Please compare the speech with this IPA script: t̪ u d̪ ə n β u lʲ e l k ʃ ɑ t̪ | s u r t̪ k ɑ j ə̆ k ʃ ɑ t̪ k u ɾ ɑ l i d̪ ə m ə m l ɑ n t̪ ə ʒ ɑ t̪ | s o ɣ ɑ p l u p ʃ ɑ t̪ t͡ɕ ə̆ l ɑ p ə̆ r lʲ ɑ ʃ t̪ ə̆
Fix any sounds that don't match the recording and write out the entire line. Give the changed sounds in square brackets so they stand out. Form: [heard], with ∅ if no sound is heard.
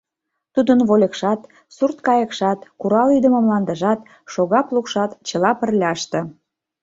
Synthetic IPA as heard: t̪ u d̪ ə n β [o] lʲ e [∅] k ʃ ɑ t̪ | s u r t̪ k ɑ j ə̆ k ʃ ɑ t̪ k u ɾ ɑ l i d̪ ə m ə m l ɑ n [d̪] ə ʒ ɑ t̪ | [ʃ] o ɣ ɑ p l u [k] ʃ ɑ t̪ t͡ɕ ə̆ l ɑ p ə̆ r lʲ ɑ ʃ t̪ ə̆